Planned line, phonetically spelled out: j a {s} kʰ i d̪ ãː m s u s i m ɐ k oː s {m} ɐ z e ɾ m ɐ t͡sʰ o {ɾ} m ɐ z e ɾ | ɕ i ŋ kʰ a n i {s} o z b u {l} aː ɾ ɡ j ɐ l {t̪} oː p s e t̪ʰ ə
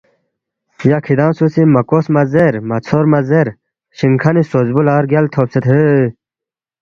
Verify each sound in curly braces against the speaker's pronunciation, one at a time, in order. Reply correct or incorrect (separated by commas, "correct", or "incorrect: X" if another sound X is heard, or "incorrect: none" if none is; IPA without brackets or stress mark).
incorrect: none, correct, correct, correct, correct, incorrect: t̪ʰ